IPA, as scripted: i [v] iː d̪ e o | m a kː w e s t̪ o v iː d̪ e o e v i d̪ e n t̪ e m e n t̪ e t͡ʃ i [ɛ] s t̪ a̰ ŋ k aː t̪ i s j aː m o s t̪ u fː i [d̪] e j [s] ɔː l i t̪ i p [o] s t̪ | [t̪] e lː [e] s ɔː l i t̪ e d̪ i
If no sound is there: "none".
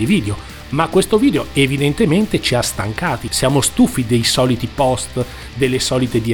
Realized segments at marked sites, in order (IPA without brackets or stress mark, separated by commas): v, a, d̪, s, ɔ, d̪, e